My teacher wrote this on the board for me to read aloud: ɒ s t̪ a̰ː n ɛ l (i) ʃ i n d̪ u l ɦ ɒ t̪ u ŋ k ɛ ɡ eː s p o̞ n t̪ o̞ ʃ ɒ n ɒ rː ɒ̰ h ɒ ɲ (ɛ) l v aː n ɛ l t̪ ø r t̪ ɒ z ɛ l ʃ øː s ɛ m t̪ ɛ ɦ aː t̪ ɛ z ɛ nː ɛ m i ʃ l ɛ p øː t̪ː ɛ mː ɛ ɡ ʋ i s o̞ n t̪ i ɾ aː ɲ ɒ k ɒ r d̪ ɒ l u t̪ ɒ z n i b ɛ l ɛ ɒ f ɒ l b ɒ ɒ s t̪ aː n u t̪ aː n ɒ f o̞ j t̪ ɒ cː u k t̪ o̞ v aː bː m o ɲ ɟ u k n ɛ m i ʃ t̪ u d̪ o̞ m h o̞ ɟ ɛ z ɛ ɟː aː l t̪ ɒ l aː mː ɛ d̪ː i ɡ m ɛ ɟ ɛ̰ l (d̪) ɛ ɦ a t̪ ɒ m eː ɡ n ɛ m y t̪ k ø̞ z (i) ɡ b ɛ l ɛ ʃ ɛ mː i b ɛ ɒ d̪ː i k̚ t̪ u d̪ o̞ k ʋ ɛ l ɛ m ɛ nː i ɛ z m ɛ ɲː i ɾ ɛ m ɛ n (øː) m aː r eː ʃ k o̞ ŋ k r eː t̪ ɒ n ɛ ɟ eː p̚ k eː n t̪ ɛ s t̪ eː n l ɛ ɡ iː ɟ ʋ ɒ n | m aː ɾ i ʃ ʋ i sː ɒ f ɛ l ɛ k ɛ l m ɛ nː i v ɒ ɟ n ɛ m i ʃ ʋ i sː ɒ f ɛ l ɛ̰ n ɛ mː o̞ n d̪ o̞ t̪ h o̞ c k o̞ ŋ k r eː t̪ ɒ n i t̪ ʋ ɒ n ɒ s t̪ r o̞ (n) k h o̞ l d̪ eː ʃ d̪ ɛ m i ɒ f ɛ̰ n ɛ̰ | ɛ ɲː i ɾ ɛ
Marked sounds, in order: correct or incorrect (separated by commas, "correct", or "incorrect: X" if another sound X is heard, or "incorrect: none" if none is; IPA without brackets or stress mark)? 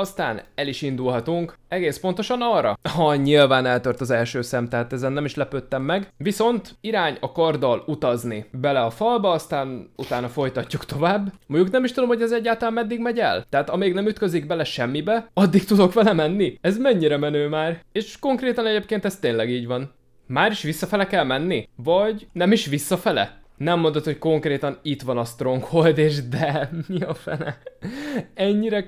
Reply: correct, incorrect: i, incorrect: t̪, correct, correct, incorrect: ŋ